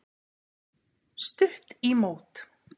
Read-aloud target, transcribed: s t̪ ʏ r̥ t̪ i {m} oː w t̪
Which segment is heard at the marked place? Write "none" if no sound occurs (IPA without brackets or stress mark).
m